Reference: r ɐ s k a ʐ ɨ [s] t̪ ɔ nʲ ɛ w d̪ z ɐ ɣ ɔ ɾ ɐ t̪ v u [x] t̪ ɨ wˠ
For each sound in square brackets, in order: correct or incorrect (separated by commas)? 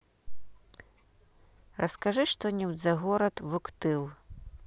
incorrect, incorrect